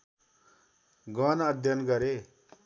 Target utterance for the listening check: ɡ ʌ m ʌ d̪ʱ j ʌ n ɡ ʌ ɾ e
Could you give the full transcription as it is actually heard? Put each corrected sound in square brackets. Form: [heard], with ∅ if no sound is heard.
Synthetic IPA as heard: ɡ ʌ [n] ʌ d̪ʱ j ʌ n ɡ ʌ ɾ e